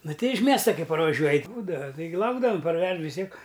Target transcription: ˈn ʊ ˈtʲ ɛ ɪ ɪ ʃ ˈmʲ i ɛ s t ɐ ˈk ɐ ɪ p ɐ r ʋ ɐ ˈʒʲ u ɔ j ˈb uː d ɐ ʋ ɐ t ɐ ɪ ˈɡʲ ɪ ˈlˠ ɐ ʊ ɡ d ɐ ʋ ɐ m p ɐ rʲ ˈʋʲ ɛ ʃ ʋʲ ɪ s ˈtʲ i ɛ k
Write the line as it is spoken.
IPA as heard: ˈn ʊ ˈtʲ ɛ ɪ ɪ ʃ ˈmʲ i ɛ s t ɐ ˈk ɐ ɪ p ɐ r ʋ ɐ ˈʒʲ u ɔ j ˈb uː d ɐ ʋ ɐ t ɐ ɪ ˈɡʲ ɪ ˈlˠ ɐ ʊ ɡ d ɐ ʋ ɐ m p ɐ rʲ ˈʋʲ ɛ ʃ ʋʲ ɪ s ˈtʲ i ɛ k